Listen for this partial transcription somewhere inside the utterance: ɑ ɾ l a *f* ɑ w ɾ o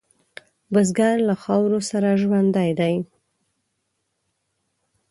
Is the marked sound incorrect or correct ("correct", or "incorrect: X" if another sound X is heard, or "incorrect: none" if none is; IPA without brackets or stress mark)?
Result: incorrect: x